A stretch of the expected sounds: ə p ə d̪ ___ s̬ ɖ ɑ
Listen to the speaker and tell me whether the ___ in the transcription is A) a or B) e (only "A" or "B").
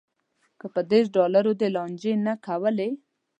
B